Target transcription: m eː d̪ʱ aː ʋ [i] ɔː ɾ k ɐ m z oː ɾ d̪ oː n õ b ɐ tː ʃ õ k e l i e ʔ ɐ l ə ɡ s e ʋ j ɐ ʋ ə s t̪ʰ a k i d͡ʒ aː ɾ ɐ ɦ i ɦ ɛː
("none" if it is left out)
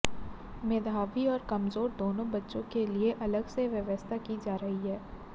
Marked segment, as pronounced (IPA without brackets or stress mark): i